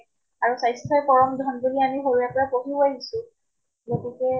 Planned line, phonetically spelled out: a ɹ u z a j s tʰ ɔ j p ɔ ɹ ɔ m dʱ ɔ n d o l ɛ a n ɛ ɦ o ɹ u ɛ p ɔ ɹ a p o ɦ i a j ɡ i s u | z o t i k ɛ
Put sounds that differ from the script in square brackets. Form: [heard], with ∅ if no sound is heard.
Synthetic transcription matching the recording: a ɹ u [s] a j s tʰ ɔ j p ɔ ɹ ɔ m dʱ ɔ n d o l [i] a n [i] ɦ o ɹ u ɛ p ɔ ɹ a p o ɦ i a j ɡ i s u | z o t i k ɛ